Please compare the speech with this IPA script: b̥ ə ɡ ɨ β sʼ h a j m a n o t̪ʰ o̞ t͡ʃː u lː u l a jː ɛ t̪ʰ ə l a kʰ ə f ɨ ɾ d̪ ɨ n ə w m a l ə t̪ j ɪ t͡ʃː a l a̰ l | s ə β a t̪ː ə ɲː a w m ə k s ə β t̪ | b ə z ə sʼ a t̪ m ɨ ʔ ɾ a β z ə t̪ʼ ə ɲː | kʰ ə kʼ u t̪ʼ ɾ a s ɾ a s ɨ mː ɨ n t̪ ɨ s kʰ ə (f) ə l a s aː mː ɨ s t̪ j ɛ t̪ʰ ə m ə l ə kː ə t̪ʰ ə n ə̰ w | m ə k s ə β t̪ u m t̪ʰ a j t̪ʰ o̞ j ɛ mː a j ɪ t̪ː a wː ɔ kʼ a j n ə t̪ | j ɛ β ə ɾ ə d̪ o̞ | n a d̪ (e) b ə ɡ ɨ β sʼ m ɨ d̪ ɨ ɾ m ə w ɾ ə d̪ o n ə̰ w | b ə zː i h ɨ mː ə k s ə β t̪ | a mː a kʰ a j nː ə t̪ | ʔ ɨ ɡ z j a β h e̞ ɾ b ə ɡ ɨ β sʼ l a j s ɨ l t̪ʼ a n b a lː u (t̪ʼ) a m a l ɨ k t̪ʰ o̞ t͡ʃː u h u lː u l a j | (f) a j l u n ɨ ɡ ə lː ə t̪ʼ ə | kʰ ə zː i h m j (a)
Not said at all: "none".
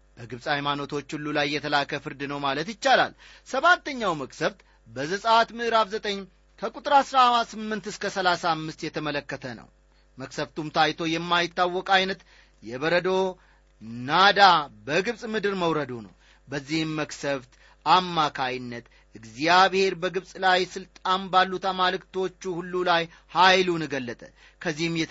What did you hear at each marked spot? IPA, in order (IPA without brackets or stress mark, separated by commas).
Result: s, a, t̪, h, ɛ